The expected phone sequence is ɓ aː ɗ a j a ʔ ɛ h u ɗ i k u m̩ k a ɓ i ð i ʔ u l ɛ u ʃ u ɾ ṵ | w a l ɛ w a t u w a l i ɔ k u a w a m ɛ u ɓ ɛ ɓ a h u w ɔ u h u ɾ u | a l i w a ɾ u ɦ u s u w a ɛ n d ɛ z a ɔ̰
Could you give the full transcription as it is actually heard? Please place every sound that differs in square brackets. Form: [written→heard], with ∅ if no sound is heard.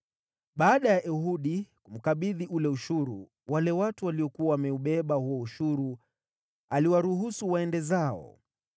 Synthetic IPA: ɓ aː ɗ a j a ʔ ɛ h u ɗ i k u m̩ k a ɓ i ð i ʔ u l ɛ u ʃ u ɾ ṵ | w a l ɛ w a t u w a l i ɔ k u a w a m ɛ u ɓ ɛ ɓ a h u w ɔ u [h→ʃ] u ɾ u | a l i w a ɾ u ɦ u s u w a ɛ n d ɛ z a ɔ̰